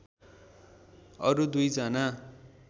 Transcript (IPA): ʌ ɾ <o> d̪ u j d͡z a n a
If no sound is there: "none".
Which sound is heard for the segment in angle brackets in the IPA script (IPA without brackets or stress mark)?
u